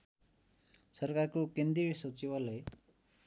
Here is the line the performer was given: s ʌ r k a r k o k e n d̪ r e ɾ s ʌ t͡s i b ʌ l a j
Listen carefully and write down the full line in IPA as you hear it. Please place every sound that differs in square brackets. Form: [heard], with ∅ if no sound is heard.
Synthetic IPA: s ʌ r k a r k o k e n d̪ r [i] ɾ s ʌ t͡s i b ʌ l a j